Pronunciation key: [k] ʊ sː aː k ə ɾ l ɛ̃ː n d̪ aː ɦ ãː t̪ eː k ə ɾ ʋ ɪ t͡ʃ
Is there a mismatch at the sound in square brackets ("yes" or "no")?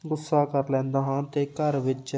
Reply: yes